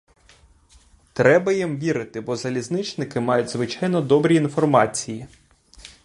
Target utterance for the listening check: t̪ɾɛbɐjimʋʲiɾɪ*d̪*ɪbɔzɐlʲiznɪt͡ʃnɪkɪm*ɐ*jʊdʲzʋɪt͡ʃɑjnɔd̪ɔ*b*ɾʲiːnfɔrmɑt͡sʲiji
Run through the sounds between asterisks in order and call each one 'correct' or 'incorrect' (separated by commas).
incorrect, incorrect, correct